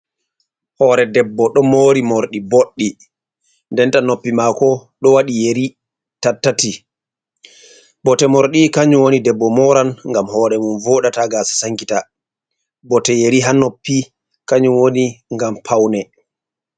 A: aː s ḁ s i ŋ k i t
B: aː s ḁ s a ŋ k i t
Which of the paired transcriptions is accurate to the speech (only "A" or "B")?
B